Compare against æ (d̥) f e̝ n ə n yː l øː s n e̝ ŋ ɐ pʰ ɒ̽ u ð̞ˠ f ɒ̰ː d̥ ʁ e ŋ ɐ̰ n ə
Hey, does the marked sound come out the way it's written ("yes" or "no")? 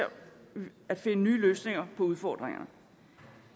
yes